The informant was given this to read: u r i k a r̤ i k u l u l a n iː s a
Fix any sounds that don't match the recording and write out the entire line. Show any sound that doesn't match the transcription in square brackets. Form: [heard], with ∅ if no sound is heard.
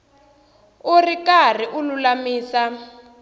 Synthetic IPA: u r i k a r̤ i [ʔ] u l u l a [m] iː s a